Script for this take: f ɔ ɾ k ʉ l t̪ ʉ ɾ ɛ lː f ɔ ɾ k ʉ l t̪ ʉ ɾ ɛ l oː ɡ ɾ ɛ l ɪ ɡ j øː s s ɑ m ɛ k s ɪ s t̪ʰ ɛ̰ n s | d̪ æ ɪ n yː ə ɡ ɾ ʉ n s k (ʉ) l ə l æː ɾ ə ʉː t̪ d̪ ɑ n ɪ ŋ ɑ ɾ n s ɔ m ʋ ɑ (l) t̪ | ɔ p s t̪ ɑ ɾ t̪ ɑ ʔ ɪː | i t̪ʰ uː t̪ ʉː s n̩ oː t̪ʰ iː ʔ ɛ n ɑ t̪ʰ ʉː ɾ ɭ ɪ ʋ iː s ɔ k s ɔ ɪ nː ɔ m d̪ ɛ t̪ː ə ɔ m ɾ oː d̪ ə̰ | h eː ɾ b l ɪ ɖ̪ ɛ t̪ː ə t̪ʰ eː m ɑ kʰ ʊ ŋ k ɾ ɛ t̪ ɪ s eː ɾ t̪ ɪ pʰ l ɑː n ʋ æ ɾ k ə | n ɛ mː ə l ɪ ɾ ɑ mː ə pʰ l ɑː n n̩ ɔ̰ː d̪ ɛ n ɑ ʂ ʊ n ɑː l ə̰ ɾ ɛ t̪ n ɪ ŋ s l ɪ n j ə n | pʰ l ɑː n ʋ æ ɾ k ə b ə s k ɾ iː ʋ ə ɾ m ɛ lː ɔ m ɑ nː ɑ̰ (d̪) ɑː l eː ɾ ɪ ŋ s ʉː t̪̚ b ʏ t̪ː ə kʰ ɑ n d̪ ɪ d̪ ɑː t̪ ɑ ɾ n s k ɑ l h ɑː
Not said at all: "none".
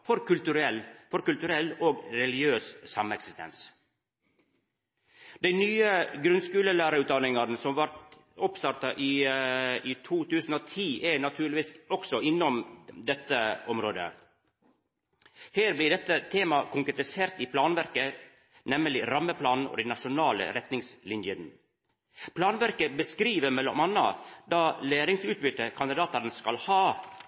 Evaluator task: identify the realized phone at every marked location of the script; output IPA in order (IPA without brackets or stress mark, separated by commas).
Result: ʉː, ɾ, d̪